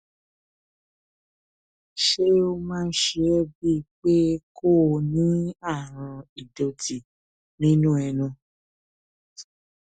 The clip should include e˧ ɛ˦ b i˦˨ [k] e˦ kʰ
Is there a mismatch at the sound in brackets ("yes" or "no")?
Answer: yes